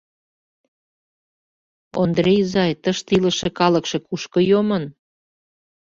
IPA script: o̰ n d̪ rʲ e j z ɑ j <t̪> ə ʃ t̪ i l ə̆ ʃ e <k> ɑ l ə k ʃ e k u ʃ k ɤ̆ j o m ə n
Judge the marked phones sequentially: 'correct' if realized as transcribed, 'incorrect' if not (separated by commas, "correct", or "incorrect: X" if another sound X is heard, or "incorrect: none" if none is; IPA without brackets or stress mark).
correct, correct